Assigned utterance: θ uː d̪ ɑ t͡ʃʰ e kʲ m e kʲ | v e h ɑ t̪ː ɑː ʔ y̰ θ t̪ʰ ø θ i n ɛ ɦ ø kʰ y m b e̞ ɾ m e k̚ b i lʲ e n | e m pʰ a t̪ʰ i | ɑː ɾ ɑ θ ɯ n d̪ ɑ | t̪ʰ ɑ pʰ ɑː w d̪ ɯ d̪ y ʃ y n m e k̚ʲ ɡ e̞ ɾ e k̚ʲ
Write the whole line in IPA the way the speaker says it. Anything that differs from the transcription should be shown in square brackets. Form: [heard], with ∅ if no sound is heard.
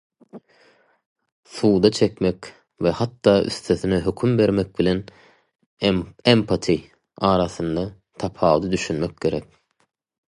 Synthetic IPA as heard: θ uː d̪ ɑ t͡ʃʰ e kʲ m e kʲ | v e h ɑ t̪ː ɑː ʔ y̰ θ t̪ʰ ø θ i n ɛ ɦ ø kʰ y m b e̞ ɾ m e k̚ b i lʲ e n | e m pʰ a t̪ʰ i | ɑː ɾ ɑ θ ɯ n d̪ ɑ | t̪ʰ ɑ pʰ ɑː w d̪ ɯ d̪ y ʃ y n m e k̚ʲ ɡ e̞ ɾ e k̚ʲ